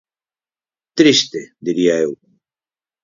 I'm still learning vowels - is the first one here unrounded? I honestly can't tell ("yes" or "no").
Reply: yes